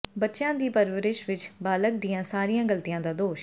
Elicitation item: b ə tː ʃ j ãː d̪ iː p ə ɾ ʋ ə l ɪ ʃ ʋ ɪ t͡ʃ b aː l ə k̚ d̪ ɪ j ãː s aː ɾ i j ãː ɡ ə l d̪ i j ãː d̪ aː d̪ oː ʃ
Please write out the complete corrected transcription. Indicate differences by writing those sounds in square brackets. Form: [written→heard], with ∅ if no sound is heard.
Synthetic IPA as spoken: b ə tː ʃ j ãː d̪ iː p ə ɾ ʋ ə [l→ɾ] ɪ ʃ ʋ ɪ t͡ʃ b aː l ə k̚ d̪ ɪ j ãː s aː ɾ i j ãː ɡ ə l [d̪→t̪] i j ãː d̪ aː d̪ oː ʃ

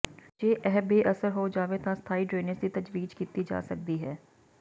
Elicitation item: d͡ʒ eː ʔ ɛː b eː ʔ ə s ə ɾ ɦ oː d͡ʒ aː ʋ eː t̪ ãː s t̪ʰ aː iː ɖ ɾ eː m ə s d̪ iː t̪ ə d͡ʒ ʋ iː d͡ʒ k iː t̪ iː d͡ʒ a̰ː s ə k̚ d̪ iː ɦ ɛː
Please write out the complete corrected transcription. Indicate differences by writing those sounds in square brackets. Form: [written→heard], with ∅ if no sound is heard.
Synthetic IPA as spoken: d͡ʒ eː ʔ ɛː b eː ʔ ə s ə ɾ ɦ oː d͡ʒ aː ʋ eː t̪ ãː s t̪ʰ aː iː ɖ ɾ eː [m→n] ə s d̪ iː t̪ ə d͡ʒ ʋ iː d͡ʒ k iː t̪ iː d͡ʒ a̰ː s ə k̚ d̪ iː ɦ ɛː

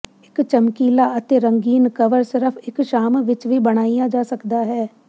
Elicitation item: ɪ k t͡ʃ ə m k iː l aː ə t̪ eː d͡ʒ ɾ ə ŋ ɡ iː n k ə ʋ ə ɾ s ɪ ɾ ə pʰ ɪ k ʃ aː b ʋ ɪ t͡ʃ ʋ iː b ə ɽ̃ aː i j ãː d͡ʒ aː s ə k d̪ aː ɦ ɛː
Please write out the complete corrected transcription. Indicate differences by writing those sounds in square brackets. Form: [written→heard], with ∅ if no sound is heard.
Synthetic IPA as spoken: ɪ k t͡ʃ ə m k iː l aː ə t̪ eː [d͡ʒ→∅] ɾ ə ŋ ɡ iː n k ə ʋ ə ɾ s ɪ ɾ ə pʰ ɪ k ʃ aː [b→m] ʋ ɪ t͡ʃ ʋ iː b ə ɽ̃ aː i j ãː d͡ʒ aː s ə k d̪ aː ɦ ɛː

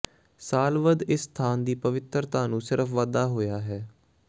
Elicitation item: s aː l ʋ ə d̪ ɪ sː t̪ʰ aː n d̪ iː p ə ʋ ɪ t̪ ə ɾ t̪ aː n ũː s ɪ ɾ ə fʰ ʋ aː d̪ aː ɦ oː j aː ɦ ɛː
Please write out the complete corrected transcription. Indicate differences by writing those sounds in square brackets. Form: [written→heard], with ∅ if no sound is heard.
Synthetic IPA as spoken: s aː l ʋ ə d̪ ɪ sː t̪ʰ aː n d̪ iː p ə ʋ ɪ t̪ ə ɾ t̪ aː n ũː s ɪ ɾ ə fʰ ʋ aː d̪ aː ɦ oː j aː ɦ ɛː

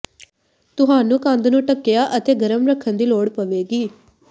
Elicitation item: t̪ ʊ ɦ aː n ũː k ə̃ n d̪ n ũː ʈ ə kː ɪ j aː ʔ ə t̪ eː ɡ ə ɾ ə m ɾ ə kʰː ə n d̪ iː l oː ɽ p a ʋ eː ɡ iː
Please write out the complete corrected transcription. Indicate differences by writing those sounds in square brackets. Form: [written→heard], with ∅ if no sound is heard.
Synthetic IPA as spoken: t̪ ʊ ɦ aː n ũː k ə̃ n d̪ n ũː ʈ ə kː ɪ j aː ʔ ə t̪ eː ɡ ə ɾ ə m ɾ ə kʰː ə n d̪ iː l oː ɽ p [a→ə] ʋ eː ɡ iː

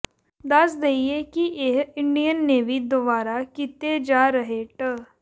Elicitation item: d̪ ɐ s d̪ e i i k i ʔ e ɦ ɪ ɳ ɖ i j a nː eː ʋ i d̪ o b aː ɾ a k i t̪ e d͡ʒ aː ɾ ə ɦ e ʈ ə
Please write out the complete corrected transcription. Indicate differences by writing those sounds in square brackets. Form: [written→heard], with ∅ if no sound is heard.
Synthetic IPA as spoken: d̪ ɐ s d̪ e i [i→e] k i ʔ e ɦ ɪ ɳ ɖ i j [a→ə] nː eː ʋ i d̪ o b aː ɾ a k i t̪ e d͡ʒ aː ɾ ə ɦ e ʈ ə

